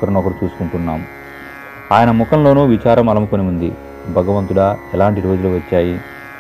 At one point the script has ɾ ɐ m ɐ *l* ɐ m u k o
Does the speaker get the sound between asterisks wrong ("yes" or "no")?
no